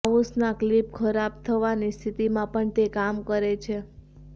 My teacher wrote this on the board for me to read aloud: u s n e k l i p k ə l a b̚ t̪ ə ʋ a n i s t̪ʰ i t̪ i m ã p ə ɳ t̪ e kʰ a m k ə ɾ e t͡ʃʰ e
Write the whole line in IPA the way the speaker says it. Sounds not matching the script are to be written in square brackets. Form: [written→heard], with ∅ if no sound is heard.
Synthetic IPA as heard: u s n [e→a] k l i p [k→kʰ] ə [l→ɾ] a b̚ [t̪→t̪ʰ] ə ʋ a n i s t̪ʰ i t̪ i m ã p ə ɳ t̪ e [kʰ→k] a m k ə ɾ e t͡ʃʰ e